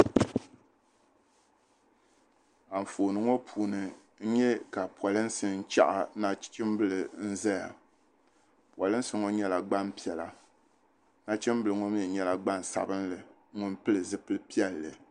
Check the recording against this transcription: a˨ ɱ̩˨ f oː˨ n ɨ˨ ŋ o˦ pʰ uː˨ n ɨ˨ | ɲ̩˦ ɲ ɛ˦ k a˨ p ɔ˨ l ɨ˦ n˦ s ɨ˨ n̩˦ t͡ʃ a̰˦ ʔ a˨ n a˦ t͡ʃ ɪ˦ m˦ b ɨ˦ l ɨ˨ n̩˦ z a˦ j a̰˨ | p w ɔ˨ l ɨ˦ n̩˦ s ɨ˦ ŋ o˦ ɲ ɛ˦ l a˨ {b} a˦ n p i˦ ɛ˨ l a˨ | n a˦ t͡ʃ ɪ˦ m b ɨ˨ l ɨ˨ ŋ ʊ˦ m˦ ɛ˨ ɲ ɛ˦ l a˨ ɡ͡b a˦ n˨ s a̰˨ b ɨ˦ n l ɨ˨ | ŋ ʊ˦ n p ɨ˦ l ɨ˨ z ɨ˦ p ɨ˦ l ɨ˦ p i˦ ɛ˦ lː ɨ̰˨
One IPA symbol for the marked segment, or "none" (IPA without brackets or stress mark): ɡ͡b